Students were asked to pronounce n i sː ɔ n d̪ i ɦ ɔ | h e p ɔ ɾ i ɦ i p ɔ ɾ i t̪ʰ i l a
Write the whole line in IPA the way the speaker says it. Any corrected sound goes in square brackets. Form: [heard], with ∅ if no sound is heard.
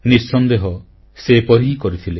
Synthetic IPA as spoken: n i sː ɔ n d̪ [e] ɦ ɔ | [s] e p ɔ ɾ i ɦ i [k] ɔ ɾ i t̪ʰ i l [e]